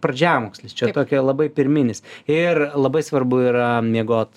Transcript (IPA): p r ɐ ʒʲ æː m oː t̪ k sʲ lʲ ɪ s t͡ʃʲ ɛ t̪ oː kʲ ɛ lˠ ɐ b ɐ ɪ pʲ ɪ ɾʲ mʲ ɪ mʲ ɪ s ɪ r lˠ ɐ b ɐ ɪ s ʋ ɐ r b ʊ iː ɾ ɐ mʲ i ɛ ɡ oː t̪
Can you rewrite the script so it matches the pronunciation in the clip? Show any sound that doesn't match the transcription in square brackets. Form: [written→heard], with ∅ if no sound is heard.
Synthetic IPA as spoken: p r ɐ [ʒʲ→d͡ʒʲ] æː m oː [t̪→∅] k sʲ lʲ ɪ s t͡ʃʲ ɛ t̪ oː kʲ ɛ lˠ ɐ b ɐ ɪ pʲ ɪ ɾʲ mʲ ɪ [mʲ→nʲ] ɪ s ɪ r lˠ ɐ b ɐ ɪ s ʋ ɐ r b ʊ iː ɾ ɐ mʲ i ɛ ɡ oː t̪